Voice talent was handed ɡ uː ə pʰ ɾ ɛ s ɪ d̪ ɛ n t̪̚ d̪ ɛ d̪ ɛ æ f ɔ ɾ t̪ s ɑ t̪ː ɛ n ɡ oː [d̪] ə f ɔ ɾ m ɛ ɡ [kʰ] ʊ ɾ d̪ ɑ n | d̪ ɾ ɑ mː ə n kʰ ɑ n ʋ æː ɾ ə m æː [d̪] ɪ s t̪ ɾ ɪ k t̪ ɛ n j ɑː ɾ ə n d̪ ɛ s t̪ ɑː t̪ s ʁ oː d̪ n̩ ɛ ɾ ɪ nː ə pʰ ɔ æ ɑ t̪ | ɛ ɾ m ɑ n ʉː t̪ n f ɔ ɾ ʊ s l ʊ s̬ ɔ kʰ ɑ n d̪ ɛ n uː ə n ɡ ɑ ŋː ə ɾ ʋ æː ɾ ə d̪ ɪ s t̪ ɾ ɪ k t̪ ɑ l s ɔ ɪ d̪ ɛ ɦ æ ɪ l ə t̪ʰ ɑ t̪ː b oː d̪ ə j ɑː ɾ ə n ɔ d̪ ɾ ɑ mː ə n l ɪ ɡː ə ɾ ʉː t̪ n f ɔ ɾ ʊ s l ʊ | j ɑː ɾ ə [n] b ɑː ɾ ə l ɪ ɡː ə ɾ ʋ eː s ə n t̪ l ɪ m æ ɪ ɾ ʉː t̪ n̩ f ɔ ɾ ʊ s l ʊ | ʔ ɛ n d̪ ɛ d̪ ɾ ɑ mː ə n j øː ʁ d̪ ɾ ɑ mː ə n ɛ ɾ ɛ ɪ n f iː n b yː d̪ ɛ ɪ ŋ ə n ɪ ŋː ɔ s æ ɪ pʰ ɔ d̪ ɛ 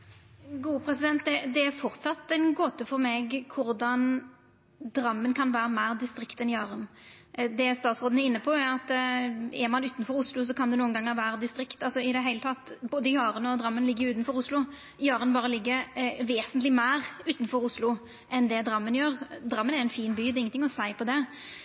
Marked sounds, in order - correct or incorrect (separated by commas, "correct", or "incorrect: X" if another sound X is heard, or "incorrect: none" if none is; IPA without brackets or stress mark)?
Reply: incorrect: t̪, correct, correct, correct